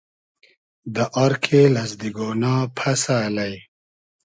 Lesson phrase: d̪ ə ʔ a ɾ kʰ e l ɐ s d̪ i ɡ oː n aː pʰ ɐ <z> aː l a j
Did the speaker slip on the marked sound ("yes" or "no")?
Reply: yes